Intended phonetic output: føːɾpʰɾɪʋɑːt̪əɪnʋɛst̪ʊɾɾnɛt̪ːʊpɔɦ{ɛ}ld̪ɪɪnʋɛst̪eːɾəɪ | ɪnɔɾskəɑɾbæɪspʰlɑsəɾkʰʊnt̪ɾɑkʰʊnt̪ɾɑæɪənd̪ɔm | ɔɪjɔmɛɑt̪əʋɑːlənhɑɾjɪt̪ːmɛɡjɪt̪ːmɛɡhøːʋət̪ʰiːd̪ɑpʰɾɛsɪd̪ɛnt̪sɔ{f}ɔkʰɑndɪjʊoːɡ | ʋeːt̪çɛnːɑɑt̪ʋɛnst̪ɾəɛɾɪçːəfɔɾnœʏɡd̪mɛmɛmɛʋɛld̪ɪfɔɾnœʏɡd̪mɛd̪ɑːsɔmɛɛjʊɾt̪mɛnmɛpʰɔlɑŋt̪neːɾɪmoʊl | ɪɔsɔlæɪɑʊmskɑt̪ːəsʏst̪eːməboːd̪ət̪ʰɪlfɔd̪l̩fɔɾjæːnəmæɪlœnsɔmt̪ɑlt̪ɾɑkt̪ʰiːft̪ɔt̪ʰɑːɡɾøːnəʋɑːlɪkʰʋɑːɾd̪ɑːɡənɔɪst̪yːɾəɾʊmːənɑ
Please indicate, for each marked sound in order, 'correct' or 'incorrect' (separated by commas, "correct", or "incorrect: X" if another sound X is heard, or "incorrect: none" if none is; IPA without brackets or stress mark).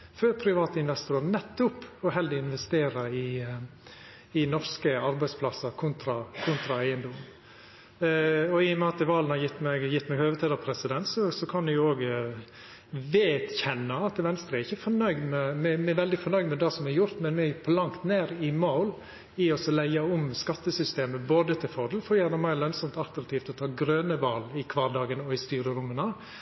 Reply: correct, incorrect: s